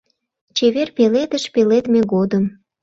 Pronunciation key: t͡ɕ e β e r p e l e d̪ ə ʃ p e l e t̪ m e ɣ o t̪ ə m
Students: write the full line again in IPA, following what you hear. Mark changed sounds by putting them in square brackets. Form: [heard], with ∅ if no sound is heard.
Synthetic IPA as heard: t͡ɕ e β e r p e l e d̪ ə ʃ p e l e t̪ m e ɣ o [d̪] ə m